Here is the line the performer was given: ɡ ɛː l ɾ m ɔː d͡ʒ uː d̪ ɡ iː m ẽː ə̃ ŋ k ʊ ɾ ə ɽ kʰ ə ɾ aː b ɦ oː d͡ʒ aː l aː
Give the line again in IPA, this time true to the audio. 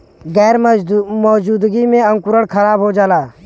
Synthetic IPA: ɡ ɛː ɾ m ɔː d͡ʒ uː d̪ ɡ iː m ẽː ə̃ ŋ k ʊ ɾ ə ɽ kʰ ə ɾ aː b ɦ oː d͡ʒ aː l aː